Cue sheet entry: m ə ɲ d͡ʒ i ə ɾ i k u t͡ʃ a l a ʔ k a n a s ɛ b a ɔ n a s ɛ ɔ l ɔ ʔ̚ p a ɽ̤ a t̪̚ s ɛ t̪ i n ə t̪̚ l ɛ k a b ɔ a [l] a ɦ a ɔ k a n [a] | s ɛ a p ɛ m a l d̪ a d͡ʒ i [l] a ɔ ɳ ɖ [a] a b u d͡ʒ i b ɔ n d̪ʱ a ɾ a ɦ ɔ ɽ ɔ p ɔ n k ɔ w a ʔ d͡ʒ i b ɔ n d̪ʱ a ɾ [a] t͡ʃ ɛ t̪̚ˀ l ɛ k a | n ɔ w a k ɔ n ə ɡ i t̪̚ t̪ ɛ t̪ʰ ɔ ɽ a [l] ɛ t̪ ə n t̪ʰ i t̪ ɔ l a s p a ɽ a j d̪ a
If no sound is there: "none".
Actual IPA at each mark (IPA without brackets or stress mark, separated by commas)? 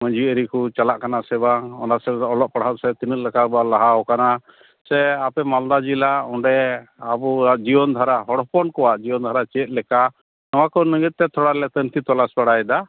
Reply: l, a, l, ɛ, a, l